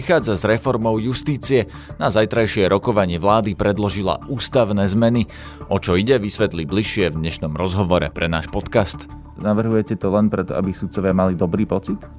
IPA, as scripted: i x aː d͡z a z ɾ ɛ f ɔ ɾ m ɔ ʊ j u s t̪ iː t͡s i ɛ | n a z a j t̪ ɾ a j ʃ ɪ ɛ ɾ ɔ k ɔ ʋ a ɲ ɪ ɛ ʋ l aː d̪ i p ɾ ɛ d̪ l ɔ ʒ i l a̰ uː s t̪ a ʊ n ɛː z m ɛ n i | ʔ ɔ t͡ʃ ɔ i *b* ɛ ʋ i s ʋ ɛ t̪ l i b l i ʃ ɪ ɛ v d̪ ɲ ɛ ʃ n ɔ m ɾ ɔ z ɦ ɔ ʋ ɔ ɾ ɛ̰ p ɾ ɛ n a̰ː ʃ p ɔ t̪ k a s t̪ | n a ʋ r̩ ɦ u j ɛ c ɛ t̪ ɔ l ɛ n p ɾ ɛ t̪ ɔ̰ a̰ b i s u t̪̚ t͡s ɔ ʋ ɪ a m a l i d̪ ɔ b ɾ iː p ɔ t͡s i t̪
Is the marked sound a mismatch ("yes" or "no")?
yes